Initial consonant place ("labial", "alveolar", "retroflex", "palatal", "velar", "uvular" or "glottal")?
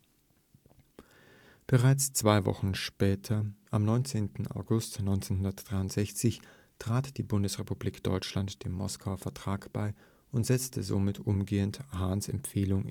labial